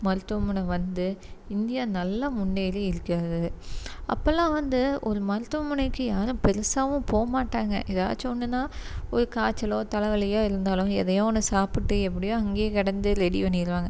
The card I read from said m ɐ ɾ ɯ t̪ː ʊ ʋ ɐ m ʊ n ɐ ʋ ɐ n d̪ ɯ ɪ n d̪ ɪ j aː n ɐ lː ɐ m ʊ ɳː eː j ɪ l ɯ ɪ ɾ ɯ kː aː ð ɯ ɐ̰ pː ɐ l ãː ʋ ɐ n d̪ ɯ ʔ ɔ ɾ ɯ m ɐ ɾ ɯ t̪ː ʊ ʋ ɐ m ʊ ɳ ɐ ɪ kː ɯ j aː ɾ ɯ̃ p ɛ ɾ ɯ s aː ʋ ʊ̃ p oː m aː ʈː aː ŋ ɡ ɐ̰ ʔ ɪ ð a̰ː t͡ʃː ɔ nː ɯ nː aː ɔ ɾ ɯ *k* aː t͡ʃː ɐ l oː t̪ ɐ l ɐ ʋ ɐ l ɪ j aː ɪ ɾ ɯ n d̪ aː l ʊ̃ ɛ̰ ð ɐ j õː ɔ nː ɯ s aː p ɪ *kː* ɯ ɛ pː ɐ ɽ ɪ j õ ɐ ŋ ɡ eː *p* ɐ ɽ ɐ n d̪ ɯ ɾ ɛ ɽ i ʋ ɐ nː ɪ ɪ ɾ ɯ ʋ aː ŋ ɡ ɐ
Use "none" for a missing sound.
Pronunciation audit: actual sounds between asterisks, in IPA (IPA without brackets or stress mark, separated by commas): k, ʈː, k